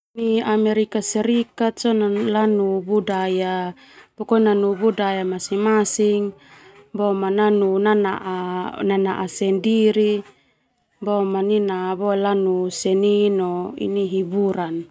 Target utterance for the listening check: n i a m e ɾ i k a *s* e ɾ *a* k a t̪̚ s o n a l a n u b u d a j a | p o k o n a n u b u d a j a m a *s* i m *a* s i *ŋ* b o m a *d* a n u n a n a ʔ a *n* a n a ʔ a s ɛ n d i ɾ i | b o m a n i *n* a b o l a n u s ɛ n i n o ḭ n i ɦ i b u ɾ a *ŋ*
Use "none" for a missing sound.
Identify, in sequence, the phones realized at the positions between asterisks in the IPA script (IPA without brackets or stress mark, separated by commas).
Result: s, i, s, a, ŋ, n, n, n, n